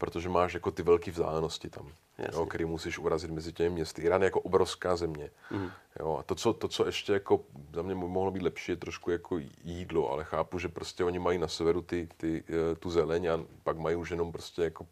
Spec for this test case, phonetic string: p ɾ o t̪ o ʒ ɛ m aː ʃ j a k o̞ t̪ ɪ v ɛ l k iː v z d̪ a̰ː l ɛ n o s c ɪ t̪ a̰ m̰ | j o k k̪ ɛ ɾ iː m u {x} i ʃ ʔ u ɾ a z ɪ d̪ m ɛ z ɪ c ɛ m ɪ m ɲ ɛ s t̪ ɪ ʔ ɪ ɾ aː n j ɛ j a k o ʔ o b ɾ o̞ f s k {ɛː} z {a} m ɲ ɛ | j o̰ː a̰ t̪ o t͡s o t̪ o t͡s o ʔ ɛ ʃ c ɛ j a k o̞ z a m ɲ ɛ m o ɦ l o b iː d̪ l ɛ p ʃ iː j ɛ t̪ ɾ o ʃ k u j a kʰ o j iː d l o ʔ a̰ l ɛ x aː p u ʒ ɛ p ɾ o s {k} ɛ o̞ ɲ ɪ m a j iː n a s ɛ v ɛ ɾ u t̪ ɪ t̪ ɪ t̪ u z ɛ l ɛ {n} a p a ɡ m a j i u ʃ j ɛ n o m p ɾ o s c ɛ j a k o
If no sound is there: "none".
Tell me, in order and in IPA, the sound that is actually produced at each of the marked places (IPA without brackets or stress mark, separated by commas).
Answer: s, aː, ɛ, c, ɲ